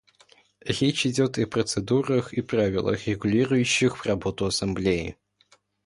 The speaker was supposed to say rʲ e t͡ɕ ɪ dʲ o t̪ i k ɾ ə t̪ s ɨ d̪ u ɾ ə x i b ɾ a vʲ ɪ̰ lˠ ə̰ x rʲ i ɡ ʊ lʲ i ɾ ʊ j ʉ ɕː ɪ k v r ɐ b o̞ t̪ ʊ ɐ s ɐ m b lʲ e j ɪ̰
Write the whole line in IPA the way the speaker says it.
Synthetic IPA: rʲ e t͡ɕ ɪ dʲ o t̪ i p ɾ ə t̪ s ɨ d̪ u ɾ ə x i p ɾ a vʲ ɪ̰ lˠ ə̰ x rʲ ɪ ɡ ʊ lʲ i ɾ ʊ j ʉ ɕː ɪ x v r ɐ b o̞ t̪ ʊ ɐ s ɐ m b lʲ e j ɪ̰